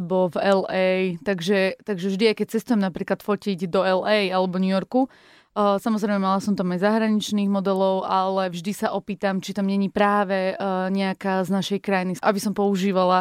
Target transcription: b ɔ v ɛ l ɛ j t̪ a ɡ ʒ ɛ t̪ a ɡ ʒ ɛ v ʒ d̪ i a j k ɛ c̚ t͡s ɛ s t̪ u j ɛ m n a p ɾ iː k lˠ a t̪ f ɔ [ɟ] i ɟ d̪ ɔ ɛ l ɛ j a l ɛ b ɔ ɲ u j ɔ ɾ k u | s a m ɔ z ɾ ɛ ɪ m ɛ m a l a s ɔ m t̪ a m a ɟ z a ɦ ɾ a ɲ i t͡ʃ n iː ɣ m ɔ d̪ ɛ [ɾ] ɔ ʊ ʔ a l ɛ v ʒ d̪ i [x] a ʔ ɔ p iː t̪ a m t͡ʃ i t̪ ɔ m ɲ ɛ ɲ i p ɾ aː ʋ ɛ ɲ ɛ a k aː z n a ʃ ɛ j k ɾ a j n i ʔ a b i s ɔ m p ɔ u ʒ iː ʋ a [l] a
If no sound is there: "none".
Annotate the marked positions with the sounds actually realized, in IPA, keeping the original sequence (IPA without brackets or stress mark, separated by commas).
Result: c, l, s, l